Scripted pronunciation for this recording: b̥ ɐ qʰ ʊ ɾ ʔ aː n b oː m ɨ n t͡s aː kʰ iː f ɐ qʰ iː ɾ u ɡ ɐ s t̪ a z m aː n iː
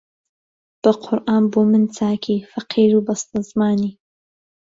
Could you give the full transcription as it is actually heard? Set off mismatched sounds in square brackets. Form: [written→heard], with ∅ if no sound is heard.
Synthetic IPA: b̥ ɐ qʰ ʊ ɾ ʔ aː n b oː m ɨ n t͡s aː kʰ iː f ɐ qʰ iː ɾ u [ɡ→b] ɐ s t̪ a z m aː n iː